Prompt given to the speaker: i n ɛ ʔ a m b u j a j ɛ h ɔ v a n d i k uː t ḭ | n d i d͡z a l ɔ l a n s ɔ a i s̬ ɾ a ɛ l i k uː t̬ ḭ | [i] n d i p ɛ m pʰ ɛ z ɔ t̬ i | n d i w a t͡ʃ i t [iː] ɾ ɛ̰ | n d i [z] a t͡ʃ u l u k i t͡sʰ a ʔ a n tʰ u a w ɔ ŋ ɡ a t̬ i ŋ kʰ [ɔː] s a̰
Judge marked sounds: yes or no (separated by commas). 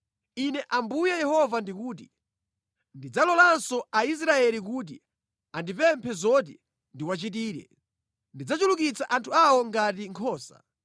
no, yes, no, yes